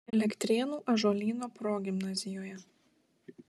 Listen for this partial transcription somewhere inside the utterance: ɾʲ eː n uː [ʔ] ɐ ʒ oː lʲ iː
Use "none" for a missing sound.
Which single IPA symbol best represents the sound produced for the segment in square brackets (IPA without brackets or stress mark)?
ʔ